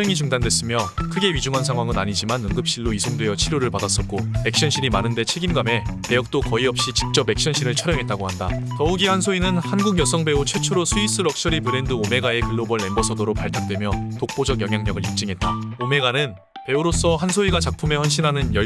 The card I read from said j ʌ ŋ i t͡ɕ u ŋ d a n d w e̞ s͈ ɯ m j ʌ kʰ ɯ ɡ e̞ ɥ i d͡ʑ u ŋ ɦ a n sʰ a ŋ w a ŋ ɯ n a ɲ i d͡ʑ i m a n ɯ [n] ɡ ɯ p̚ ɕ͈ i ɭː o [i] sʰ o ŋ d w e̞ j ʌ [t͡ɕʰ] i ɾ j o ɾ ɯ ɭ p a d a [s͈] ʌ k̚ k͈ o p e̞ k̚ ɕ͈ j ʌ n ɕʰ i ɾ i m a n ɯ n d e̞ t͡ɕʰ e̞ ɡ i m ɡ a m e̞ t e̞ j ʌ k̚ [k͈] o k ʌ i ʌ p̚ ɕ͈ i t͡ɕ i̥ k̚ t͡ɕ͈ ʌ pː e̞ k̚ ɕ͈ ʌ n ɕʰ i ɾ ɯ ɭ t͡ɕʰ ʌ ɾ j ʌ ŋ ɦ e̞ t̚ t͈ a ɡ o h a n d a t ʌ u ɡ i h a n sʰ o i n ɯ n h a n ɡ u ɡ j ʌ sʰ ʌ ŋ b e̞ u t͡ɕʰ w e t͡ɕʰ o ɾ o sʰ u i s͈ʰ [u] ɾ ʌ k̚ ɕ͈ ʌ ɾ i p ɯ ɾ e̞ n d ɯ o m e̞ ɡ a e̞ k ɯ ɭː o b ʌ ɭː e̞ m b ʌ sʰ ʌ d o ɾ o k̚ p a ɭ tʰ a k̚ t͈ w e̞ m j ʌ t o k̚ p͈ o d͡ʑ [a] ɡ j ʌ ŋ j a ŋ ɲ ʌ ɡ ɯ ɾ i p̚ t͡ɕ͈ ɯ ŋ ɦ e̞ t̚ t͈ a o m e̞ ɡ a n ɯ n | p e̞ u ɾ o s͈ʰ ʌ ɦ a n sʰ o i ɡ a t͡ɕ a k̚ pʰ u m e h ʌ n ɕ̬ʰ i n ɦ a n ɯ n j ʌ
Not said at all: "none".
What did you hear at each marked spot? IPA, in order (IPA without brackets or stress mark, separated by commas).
ŋ, i, t͡ɕʰ, s͈, t͈, ɯ, ʌ